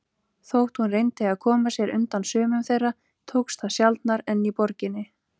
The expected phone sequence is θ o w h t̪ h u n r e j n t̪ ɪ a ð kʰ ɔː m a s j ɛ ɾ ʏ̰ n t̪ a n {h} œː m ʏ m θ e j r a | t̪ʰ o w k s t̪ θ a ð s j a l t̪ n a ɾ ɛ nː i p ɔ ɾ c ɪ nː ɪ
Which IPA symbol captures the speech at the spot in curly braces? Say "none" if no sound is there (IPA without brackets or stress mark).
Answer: s